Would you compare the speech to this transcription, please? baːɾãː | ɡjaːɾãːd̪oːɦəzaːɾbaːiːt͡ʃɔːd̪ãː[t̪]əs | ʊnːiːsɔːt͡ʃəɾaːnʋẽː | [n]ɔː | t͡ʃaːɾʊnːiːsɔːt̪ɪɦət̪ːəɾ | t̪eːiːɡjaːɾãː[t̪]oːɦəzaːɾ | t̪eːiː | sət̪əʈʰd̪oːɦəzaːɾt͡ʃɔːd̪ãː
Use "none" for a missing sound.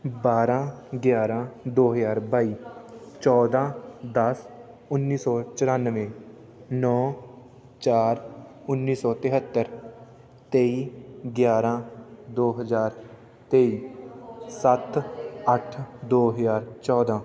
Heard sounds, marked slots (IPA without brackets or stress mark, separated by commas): d̪, n, d̪